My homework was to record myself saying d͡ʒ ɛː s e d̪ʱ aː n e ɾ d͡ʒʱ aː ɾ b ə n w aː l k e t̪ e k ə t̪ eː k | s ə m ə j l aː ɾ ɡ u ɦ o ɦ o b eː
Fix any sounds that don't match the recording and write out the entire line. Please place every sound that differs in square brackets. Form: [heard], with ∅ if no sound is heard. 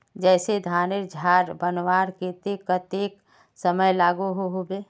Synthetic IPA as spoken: d͡ʒ ɛː s e d̪ʱ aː n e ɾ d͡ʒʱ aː ɾ b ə n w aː [ɾ] k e t̪ e k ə t̪ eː k | s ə m ə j l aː [∅] ɡ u ɦ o ɦ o b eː